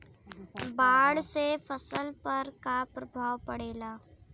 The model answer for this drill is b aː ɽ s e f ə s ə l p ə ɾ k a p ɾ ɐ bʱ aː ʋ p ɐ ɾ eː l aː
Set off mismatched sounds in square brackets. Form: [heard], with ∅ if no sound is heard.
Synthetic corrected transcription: b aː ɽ s e f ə s ə l p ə ɾ k a p ɾ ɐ bʱ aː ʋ p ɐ [ɽ] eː l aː